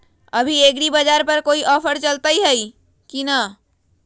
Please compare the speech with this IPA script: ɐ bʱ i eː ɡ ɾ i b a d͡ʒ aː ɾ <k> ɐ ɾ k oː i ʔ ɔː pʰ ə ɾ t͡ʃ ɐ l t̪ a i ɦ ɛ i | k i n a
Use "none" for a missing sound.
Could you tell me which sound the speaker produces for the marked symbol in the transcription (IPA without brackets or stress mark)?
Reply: p